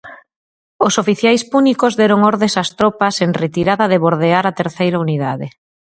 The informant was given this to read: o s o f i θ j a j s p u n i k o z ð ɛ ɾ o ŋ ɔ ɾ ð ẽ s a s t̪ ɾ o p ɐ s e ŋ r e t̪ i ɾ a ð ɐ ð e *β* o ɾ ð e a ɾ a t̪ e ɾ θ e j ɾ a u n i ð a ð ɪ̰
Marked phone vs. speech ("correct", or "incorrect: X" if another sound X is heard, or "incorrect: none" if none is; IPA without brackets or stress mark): correct